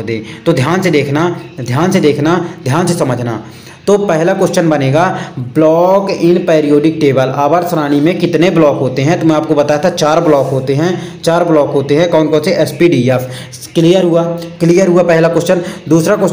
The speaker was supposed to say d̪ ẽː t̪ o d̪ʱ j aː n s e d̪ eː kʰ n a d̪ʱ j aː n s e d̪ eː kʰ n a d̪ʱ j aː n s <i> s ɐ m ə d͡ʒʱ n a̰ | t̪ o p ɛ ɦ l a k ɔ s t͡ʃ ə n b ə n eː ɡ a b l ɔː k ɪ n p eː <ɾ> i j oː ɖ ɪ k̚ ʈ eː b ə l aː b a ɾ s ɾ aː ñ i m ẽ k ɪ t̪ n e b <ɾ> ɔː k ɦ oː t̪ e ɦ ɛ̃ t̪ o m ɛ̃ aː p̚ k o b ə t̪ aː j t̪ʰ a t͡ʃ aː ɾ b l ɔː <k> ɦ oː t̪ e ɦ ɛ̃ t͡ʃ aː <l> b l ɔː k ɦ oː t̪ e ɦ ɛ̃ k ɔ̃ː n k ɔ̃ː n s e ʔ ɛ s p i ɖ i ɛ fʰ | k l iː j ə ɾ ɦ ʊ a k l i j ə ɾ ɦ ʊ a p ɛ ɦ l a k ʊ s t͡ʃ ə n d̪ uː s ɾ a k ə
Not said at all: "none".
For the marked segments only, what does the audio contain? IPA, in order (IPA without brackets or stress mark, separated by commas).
e, ɾ, l, k, ɾ